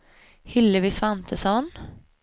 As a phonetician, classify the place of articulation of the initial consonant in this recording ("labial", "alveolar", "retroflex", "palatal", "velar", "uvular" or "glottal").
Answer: glottal